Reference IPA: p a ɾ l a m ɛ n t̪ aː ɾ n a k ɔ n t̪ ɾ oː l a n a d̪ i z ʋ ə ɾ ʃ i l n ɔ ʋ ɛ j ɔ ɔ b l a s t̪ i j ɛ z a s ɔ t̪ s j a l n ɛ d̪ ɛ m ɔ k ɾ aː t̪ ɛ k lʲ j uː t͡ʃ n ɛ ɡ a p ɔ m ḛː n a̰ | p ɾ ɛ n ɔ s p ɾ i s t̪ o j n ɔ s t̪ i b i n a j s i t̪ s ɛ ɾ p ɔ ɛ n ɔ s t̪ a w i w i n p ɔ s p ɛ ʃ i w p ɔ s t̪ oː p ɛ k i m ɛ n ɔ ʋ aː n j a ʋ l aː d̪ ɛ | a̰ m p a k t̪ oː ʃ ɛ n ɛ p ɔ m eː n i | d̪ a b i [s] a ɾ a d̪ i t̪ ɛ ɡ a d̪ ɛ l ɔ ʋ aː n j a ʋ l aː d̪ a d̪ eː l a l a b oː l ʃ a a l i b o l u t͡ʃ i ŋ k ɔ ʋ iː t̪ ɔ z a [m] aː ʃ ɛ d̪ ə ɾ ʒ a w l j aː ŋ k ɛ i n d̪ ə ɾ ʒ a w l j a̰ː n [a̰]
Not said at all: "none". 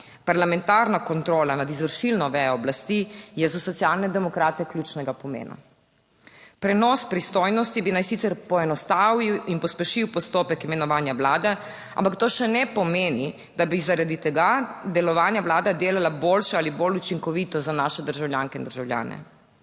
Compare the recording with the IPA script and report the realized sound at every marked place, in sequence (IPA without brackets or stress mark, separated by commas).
z, n, ɛ̰